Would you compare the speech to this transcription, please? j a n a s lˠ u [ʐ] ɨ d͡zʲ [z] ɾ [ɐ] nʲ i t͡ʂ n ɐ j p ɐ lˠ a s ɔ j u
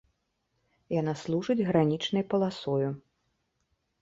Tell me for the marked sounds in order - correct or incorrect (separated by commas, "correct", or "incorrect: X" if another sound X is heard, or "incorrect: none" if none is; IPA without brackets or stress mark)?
correct, incorrect: ɣ, incorrect: a